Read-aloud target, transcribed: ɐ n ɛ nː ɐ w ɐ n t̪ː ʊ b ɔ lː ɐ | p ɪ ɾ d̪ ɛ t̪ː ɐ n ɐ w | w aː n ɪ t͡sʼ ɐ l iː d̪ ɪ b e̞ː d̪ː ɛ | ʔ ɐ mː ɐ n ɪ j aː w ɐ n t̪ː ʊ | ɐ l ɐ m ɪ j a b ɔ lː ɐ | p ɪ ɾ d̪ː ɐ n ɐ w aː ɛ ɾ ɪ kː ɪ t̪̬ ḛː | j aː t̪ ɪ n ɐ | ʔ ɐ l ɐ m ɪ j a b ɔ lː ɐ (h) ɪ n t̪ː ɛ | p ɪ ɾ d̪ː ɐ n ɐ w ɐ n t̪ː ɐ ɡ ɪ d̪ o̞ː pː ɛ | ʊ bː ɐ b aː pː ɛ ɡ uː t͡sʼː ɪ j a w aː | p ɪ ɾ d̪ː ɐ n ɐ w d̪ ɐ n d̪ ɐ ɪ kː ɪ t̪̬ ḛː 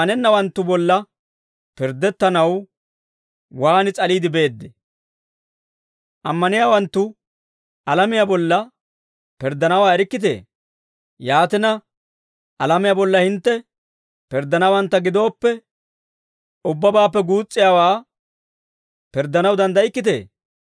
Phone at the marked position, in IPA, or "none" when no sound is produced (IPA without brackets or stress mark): h